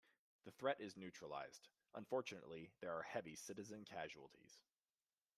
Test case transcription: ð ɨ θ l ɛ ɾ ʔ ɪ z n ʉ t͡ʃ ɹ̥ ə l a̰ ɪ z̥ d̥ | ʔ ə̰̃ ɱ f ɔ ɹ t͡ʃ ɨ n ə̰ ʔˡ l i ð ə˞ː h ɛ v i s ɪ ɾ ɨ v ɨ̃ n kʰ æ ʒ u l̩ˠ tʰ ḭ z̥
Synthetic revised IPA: ð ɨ θ ɹ ɛ ɾ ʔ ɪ z n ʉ t͡ʃ ɹ̥ ə l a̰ ɪ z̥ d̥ | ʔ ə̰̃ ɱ f ɔ ɹ t͡ʃ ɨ n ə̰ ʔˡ l i ð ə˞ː h ɛ v i s ɪ ɾ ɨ z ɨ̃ n kʰ æ ʒ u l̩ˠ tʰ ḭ z̥